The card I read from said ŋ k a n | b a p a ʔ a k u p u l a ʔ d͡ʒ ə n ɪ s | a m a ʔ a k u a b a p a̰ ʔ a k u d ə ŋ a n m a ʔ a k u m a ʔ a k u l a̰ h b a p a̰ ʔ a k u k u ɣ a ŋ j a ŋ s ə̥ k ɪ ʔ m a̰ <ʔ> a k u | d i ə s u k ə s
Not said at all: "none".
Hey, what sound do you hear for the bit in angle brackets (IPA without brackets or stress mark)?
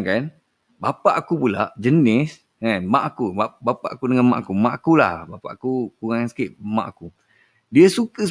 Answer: ʔ